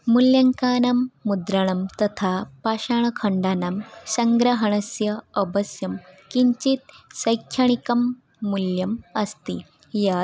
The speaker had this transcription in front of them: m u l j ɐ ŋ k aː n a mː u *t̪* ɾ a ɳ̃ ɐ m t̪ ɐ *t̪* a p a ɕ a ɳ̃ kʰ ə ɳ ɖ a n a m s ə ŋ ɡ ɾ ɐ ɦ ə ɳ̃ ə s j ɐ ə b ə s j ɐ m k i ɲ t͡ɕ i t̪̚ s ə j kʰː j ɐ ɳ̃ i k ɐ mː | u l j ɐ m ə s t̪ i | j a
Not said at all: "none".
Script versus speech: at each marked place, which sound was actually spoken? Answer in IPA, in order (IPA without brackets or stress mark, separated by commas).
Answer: d̪, t̪ʰ